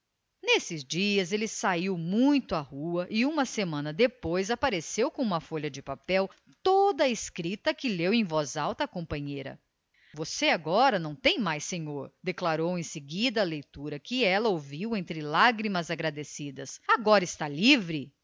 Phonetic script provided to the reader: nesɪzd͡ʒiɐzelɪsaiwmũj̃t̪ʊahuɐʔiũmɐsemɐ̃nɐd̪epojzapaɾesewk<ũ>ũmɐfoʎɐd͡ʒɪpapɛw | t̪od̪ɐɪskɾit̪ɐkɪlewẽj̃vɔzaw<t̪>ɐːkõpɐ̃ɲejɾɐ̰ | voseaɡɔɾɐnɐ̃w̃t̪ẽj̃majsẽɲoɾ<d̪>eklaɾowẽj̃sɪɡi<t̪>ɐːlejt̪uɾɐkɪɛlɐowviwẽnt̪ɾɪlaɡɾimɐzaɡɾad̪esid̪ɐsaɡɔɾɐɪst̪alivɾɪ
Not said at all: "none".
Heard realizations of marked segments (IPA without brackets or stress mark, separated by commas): õ, t̪, d̪, d̪